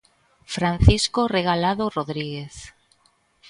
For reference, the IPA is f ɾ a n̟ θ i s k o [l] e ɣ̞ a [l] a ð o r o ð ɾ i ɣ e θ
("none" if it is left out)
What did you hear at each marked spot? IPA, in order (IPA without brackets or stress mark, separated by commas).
r, l